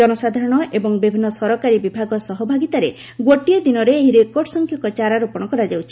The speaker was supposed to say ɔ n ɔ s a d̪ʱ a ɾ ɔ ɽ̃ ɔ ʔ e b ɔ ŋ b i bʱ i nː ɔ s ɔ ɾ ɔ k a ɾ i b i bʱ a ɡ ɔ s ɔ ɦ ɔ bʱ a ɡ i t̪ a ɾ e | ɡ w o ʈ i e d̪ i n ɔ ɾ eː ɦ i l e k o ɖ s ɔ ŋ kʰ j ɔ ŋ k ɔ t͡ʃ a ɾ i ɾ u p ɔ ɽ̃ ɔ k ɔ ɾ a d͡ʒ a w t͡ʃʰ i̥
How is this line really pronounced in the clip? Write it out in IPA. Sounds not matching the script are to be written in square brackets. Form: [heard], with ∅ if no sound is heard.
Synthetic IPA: ɔ n ɔ s a d̪ʱ a ɾ ɔ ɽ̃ ɔ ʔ e b ɔ ŋ b i bʱ i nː ɔ s ɔ ɾ ɔ k a ɾ i b i bʱ a ɡ ɔ s ɔ ɦ ɔ bʱ a ɡ i t̪ a ɾ e | ɡ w o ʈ i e d̪ i n ɔ ɾ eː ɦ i [ɾ] e k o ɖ s ɔ ŋ kʰ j ɔ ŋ k ɔ t͡ʃ a ɾ [a] ɾ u p ɔ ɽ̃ ɔ k ɔ ɾ a d͡ʒ a w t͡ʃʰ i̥